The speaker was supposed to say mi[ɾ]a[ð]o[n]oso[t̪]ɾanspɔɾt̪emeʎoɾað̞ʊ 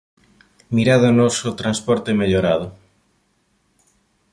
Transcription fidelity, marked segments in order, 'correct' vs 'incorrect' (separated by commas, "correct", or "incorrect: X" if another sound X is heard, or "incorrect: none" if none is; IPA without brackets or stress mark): correct, correct, correct, correct